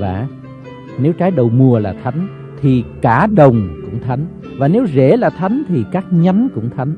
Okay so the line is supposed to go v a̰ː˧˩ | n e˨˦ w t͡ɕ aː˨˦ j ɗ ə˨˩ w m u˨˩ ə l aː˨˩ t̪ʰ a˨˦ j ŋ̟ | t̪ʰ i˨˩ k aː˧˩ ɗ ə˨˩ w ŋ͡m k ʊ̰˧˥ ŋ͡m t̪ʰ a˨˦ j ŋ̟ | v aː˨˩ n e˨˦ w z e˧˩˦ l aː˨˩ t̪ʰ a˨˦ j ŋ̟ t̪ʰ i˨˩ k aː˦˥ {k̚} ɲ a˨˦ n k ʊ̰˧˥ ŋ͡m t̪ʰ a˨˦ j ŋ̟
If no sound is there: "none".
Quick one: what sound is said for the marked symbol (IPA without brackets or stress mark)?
k̚